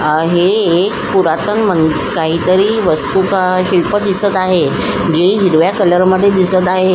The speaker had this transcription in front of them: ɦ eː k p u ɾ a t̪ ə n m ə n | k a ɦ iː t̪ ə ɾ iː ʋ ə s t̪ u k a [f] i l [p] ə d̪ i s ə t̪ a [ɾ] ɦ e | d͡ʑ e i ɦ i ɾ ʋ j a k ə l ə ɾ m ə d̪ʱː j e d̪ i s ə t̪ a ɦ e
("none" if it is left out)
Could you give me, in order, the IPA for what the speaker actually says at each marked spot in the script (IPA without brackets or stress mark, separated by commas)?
ɕ, p, none